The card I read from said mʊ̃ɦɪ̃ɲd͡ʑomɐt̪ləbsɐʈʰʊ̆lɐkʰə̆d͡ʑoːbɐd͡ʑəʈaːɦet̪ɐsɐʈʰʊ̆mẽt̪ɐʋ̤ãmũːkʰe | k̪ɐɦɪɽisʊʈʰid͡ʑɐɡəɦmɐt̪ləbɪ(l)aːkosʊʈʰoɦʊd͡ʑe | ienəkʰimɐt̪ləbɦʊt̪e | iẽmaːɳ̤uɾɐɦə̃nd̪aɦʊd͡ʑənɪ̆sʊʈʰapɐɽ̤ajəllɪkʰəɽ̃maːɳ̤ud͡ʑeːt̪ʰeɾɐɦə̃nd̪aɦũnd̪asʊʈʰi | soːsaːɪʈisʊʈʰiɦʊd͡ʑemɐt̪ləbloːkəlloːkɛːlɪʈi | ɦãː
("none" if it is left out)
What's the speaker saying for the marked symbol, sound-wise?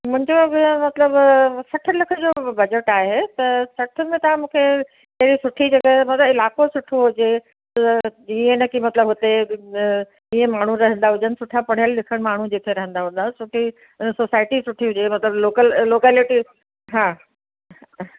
l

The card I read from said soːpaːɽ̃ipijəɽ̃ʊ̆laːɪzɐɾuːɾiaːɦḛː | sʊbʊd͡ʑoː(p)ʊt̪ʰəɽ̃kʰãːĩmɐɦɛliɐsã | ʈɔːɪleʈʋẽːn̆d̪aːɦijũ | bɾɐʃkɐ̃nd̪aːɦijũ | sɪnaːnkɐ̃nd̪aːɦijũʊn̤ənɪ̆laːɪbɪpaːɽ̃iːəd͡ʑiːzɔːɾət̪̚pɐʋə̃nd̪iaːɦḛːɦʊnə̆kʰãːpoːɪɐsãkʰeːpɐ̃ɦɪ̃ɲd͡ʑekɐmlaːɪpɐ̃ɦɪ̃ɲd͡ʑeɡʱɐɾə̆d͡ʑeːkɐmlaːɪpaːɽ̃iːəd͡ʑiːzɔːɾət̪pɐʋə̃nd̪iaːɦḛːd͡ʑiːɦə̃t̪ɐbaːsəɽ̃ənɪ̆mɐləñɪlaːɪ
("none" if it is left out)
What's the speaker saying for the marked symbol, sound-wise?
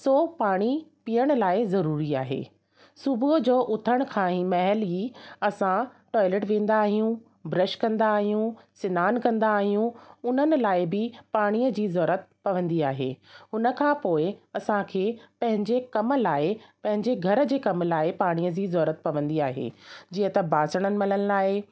ʔ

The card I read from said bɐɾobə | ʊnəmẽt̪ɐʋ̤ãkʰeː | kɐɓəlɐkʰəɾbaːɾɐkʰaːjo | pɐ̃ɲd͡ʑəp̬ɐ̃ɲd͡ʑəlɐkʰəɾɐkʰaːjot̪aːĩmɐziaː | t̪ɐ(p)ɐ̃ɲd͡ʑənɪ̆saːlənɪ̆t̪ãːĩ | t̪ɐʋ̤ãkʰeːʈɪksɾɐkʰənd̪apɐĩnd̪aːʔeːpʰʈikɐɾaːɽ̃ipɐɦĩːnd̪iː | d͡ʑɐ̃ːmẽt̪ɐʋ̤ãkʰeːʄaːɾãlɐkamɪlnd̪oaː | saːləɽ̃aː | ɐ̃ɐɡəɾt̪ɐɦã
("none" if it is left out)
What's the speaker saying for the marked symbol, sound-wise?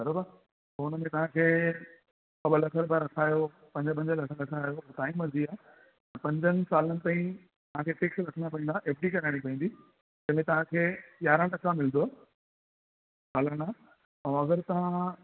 p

